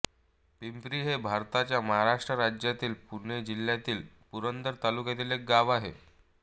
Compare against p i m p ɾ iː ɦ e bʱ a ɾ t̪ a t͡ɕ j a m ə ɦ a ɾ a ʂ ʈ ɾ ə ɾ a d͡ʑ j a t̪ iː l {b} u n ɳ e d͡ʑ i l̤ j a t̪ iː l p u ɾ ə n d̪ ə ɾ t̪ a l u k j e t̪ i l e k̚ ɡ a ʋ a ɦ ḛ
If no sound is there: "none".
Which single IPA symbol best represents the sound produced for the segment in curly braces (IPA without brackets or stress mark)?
p